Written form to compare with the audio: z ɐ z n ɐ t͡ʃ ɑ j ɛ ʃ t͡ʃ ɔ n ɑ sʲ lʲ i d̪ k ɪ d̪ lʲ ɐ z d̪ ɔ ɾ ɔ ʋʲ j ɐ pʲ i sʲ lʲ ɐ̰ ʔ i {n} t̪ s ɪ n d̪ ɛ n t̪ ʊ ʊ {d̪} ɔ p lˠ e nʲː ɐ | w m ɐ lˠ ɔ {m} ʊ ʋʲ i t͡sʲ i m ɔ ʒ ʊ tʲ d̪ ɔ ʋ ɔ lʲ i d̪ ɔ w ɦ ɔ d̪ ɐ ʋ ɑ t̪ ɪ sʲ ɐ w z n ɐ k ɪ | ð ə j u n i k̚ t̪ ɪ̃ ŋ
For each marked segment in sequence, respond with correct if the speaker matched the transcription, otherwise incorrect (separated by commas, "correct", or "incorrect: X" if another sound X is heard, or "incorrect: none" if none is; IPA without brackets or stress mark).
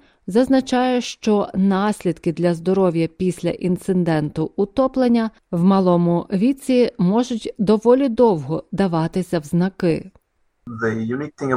correct, incorrect: t̪, correct